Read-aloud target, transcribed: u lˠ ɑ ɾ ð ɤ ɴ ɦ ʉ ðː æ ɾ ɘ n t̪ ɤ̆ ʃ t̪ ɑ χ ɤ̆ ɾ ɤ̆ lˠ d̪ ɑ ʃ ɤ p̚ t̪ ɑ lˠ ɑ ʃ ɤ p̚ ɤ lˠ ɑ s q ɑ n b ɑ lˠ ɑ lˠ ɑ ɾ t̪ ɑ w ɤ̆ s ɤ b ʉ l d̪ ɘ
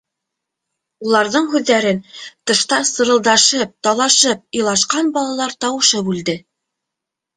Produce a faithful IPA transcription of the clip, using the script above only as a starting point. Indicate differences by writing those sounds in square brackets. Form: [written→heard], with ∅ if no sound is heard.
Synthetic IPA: u lˠ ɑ ɾ ð ɤ ɴ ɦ ʉ ðː æ ɾ ɘ n t̪ ɤ̆ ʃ t̪ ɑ [χ→s] ɤ̆ ɾ ɤ̆ lˠ d̪ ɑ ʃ ɤ p̚ t̪ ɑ lˠ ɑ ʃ ɤ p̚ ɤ lˠ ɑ [s→ʃ] q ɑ n b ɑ lˠ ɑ lˠ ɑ ɾ t̪ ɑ w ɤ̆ [s→ʃ] ɤ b ʉ l d̪ ɘ